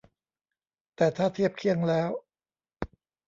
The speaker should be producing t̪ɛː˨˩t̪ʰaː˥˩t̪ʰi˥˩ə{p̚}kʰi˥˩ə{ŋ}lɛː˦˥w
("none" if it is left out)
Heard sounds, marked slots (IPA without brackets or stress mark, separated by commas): p̚, ŋ